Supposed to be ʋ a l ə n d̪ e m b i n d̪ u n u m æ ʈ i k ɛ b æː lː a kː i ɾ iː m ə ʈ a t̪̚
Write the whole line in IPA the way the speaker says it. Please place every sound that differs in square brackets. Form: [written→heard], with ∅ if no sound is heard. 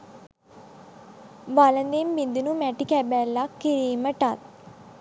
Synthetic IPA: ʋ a l ə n d̪ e m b i n d̪ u n u m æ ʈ i k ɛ b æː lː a kː i ɾ iː m ə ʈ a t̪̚